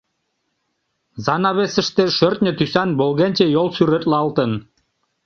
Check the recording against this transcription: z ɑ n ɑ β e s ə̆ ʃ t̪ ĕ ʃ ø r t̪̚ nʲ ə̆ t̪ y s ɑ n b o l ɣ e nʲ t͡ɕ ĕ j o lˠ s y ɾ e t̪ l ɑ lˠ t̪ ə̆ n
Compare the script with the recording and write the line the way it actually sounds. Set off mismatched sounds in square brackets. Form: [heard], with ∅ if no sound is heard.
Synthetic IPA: z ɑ n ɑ β e s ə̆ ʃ t̪ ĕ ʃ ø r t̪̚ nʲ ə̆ t̪ y s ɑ n b o l ɣ e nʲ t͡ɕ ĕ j o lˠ s y ɾ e t̪ l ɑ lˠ t̪ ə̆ n